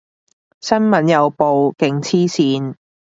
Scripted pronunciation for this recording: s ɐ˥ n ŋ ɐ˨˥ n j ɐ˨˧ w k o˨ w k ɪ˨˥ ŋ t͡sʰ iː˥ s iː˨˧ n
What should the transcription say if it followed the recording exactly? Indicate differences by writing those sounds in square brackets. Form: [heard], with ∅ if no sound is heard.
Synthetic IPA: s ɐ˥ n [m] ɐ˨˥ n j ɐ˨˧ w [p] o˨ w k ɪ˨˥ ŋ t͡sʰ iː˥ s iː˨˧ n